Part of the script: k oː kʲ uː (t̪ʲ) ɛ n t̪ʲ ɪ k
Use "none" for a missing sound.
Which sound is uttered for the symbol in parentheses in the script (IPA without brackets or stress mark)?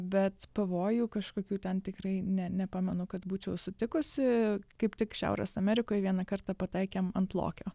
t̪ʲ